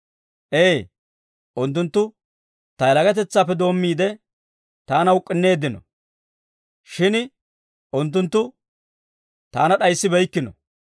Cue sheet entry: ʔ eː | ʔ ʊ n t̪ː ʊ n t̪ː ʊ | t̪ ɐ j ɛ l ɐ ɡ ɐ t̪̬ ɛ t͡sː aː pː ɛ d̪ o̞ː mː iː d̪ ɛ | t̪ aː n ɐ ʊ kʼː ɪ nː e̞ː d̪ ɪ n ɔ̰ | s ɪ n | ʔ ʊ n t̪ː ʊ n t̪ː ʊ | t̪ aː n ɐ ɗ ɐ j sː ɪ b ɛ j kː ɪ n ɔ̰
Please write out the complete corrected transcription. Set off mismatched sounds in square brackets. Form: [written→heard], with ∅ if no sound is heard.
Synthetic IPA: ʔ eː | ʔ ʊ n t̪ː ʊ n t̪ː ʊ | t̪ ɐ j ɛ l ɐ ɡ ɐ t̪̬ ɛ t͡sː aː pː ɛ d̪ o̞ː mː iː d̪ ɛ | t̪ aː n ɐ ʊ kʼː ɪ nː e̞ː d̪ ɪ n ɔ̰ | [s→ʃ] ɪ n | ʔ ʊ n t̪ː ʊ n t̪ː ʊ | t̪ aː n ɐ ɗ ɐ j sː ɪ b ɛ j kː ɪ n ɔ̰